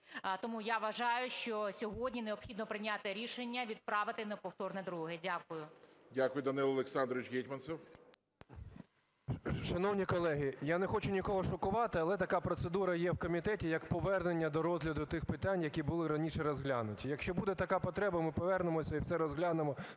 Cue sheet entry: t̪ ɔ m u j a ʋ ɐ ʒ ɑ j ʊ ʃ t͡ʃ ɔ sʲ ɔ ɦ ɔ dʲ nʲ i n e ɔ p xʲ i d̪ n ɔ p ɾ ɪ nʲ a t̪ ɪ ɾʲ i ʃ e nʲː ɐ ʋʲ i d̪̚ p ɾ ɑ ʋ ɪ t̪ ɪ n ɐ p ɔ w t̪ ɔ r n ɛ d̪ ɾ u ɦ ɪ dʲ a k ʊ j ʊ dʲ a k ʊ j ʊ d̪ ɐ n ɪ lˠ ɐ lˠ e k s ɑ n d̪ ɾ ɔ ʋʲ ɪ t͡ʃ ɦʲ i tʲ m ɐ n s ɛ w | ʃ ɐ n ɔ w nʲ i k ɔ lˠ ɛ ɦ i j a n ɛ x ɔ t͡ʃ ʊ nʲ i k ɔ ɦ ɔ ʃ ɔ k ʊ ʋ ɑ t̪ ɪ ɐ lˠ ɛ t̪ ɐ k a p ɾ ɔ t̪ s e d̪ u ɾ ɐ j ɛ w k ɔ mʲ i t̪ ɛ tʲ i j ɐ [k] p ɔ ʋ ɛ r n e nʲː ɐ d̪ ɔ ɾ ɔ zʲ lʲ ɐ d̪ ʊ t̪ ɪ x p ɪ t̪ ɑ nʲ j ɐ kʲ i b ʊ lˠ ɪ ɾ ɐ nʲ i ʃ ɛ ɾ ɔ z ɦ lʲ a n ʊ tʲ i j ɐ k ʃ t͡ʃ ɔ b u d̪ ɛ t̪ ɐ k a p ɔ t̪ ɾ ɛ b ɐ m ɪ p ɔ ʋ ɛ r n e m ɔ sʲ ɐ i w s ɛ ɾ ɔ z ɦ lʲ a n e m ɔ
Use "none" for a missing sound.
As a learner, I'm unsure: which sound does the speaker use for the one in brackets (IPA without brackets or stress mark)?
k